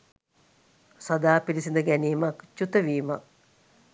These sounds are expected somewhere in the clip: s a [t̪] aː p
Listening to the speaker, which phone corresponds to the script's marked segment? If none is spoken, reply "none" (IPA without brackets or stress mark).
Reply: d̪